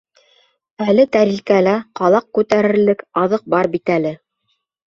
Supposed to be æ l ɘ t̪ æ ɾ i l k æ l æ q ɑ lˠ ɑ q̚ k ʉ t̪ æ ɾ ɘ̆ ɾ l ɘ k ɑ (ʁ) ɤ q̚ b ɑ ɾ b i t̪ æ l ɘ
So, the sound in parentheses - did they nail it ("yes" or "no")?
no